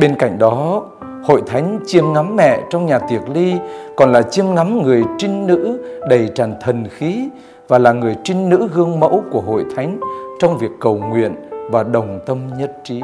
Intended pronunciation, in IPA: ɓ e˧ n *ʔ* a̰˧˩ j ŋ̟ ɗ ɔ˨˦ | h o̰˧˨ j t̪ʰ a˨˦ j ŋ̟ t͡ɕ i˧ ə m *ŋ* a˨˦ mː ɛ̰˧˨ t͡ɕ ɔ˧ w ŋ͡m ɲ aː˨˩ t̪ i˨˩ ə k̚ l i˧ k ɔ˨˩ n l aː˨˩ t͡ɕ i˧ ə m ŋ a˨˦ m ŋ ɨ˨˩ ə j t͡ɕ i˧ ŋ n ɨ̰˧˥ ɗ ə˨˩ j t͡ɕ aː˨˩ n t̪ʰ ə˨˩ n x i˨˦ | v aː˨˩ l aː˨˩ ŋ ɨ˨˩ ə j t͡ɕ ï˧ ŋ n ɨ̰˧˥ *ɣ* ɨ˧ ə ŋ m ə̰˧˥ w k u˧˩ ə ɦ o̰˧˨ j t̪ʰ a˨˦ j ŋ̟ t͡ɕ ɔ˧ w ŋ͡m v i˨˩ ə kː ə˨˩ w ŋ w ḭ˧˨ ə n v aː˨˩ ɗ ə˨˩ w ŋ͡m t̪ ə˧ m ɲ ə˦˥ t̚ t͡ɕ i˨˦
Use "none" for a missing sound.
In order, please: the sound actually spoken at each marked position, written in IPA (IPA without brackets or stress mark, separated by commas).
k, ŋ, ɣ